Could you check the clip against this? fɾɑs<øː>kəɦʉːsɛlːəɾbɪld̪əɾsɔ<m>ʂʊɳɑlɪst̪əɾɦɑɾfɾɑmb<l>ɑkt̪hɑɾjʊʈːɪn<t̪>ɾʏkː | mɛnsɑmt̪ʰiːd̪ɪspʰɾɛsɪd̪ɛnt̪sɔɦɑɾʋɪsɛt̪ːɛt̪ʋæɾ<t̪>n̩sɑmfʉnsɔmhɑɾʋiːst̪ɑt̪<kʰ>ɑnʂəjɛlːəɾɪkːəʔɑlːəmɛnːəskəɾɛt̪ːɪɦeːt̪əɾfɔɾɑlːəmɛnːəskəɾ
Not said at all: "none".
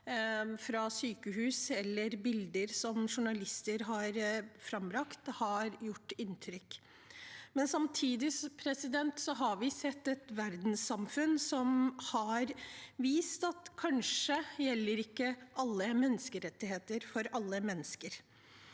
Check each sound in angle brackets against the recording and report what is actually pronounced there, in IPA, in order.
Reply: yː, m, ɾ, t̪ʰ, d̪, kʰ

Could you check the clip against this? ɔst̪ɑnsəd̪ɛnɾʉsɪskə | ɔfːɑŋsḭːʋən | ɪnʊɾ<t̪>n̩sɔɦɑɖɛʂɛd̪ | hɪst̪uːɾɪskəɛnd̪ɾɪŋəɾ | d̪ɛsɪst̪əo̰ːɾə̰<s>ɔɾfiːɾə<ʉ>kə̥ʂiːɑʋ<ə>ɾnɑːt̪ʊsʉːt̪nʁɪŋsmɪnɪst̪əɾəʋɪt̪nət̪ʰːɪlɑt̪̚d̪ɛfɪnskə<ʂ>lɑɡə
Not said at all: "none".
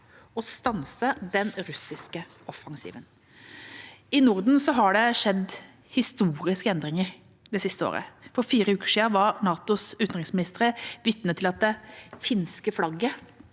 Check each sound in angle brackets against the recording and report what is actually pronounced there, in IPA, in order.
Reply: d̪, f, ʉː, ɑ, f

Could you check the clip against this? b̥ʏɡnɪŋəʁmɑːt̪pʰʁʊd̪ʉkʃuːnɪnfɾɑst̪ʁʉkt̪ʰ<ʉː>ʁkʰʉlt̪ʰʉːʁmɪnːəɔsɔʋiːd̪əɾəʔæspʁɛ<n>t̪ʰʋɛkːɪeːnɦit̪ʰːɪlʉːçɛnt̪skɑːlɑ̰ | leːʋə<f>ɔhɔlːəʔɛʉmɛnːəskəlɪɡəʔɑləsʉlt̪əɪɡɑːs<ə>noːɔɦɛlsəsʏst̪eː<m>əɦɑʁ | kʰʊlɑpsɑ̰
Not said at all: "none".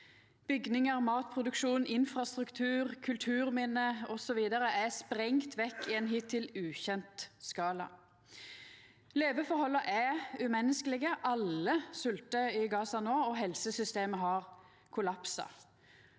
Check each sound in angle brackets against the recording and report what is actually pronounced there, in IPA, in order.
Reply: ʉː, ŋ, f, ɑ, m

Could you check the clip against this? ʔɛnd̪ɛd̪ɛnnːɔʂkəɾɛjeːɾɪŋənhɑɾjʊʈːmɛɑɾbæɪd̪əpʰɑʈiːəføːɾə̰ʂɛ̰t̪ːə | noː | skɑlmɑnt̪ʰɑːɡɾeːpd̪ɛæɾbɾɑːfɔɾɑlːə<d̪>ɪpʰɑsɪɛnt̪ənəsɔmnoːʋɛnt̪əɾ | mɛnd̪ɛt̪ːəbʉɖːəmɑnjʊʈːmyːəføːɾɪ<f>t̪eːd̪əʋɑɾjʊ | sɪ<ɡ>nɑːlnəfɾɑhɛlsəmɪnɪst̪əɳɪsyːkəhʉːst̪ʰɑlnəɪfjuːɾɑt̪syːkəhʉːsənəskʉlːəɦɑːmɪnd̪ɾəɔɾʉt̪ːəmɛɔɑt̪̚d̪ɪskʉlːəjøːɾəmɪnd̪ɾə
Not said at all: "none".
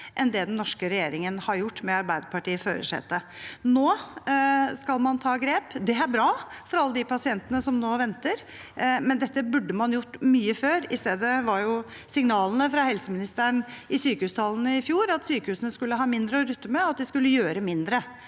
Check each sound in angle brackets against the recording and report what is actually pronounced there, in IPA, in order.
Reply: d̪, s, ŋ

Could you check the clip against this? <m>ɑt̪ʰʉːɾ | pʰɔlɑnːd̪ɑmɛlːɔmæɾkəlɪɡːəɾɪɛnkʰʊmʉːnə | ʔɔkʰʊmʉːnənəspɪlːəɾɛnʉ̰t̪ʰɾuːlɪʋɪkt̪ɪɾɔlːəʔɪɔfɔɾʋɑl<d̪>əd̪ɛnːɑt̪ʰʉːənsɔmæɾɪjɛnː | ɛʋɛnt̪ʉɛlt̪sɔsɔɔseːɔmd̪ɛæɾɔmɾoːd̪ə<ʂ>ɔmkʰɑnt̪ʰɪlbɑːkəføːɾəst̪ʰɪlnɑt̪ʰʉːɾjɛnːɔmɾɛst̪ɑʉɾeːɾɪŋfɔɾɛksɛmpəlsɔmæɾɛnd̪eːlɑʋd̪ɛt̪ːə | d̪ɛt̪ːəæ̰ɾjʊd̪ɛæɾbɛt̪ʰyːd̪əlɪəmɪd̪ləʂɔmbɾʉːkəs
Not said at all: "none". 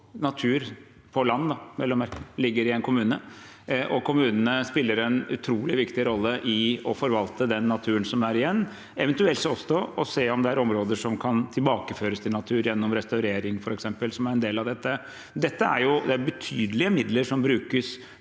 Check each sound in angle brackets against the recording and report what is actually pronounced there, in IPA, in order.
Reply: n, t̪, ʂ

